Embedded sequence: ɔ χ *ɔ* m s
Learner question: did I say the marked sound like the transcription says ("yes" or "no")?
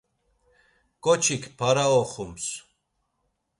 no